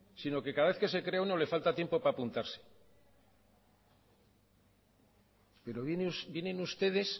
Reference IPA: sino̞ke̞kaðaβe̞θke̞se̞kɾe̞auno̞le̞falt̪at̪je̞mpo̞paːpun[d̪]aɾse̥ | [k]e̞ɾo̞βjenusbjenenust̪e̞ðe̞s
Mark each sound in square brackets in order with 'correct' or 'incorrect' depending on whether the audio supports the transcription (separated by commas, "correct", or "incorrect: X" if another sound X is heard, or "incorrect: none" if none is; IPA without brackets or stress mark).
incorrect: t̪, incorrect: p